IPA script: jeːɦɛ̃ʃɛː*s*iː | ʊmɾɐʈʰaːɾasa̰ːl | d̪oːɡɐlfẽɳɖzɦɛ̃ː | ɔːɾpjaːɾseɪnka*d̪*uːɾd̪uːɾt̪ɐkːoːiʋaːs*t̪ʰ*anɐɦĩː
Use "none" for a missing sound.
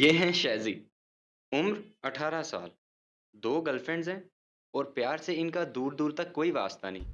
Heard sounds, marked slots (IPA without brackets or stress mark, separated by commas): z, d̪, t̪